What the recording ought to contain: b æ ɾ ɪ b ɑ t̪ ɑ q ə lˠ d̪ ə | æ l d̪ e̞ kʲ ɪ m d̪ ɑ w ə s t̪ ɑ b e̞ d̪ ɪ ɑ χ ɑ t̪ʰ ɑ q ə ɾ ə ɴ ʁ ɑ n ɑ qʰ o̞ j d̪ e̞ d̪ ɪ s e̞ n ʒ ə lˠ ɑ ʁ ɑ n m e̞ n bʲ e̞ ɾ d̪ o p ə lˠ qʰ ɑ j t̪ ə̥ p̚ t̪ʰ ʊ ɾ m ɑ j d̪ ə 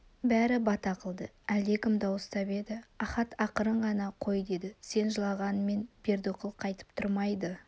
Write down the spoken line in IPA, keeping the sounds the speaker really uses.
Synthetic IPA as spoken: b æ ɾ ɪ b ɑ t̪ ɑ q ə lˠ d̪ ə | æ l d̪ e̞ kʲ ɪ m d̪ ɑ w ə s t̪ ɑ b e̞ d̪ ɪ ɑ χ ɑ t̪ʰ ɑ q ə ɾ ə ɴ ʁ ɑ n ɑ qʰ o̞ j d̪ e̞ d̪ ɪ s e̞ n ʒ ə lˠ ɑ ʁ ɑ n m e̞ n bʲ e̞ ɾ d̪ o q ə lˠ qʰ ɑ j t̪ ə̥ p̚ t̪ʰ ʊ ɾ m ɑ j d̪ ə

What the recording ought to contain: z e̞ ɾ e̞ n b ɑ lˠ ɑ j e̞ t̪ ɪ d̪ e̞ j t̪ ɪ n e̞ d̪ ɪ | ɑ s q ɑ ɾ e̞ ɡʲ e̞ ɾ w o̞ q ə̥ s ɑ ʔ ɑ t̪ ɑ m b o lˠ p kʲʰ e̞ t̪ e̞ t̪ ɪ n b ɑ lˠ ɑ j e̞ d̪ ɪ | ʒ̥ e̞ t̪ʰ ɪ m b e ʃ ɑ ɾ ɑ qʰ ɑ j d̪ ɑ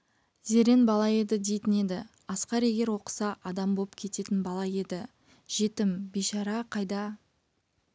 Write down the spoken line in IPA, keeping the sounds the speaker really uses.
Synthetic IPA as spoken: z e̞ ɾ e̞ n b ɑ lˠ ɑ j e̞ d̪ ɪ d̪ e̞ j t̪ ɪ n e̞ d̪ ɪ | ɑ s q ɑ ɾ e̞ ɡʲ e̞ ɾ w o̞ q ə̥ s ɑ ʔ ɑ d̪ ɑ m b o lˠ p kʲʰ e̞ t̪ e̞ t̪ ɪ n b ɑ lˠ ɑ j e̞ d̪ ɪ | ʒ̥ e̞ t̪ ɪ m b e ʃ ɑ ɾ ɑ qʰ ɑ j d̪ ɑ

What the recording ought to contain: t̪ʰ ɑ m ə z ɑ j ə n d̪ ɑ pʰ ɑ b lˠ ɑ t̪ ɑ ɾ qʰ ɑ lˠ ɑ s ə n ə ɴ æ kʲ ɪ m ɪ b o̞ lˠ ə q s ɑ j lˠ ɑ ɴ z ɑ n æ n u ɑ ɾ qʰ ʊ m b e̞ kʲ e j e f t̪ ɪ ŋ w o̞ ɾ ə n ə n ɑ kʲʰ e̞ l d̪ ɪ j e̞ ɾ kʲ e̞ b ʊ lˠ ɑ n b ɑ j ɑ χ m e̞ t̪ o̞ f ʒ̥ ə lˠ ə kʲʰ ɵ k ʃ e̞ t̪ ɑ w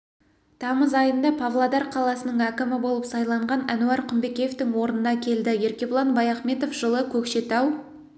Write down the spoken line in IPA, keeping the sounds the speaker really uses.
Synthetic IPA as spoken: t̪ʰ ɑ m ə z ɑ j ə n d̪ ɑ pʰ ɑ v lˠ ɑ d̪ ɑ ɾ qʰ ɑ lˠ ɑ s ə n ə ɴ æ kʲ ɪ m ɪ b o̞ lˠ ə p s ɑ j lˠ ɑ ɴ ʁ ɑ n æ n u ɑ ɾ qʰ ʊ m b e̞ kʲ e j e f t̪ ɪ ŋ w o̞ ɾ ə n ə n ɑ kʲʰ e̞ l d̪ ɪ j e̞ ɾ kʲ e̞ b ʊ lˠ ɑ n b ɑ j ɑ χ m e̞ t̪ o̞ f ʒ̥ ə lˠ ə kʲʰ ɵ k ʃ e̞ t̪ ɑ w

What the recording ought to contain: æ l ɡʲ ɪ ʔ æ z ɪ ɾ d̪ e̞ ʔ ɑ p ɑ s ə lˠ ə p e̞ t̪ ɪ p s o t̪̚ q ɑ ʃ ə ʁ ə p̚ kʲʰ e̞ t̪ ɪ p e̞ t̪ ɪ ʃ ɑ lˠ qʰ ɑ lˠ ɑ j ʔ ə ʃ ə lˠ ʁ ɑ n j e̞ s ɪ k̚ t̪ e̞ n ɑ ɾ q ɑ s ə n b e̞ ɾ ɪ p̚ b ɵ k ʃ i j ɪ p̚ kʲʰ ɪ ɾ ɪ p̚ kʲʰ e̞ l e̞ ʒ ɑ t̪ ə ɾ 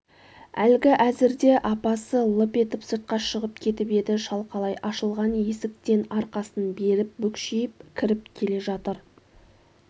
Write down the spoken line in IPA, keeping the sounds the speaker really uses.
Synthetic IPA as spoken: æ l ɡʲ ɪ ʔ æ z ɪ ɾ d̪ e̞ ʔ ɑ p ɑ s ə lˠ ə p e̞ t̪ ɪ p s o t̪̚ q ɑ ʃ ə ʁ ə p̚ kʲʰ e̞ t̪ ɪ p e̞ d̪ ɪ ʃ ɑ lˠ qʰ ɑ lˠ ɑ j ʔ ɑ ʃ ə lˠ ʁ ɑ n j e̞ s ɪ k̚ t̪ e̞ n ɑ ɾ q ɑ s ə n b e̞ ɾ ɪ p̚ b ɵ k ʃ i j ɪ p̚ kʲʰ ɪ ɾ ɪ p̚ kʲʰ e̞ l e̞ ʒ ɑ t̪ ə ɾ

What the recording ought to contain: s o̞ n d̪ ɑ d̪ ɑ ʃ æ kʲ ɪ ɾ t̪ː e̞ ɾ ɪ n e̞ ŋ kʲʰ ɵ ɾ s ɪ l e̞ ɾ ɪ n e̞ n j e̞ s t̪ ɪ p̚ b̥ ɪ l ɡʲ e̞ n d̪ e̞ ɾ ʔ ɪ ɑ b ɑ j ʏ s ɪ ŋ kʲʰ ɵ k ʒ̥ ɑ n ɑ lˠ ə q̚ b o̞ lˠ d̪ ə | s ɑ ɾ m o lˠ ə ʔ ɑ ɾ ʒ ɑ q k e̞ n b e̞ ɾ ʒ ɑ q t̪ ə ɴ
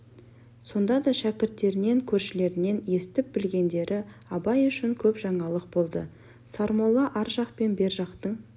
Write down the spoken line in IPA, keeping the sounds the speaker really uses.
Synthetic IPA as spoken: s o̞ n d̪ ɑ d̪ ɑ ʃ æ kʲ ɪ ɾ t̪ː e̞ ɾ ɪ n e̞ ŋ kʲʰ ɵ ɾ ʃ ɪ l e̞ ɾ ɪ n e̞ n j e̞ s t̪ ɪ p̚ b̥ ɪ l ɡʲ e̞ n d̪ e̞ ɾ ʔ ɪ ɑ b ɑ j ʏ ʃ ɪ ŋ kʲʰ ɵ p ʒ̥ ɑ ɴ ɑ lˠ ə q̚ b o̞ lˠ d̪ ə | s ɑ ɾ m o lˠ ɑ ʔ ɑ ɾ ʒ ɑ q p e̞ n b e̞ ɾ ʒ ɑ q t̪ ə ɴ

